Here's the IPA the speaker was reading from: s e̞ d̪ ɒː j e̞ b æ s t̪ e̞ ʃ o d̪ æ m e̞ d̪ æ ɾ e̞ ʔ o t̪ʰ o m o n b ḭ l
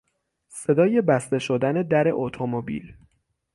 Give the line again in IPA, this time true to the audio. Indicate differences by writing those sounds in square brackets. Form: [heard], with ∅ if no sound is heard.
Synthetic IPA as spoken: s e̞ d̪ ɒː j e̞ b æ s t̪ e̞ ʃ o d̪ æ [n] e̞ d̪ æ ɾ e̞ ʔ o t̪ʰ o m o [∅] b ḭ l